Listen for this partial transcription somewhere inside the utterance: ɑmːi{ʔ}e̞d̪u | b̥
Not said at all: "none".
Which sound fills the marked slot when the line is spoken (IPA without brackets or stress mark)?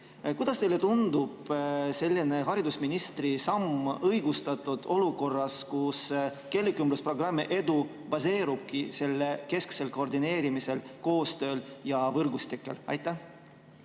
ʔ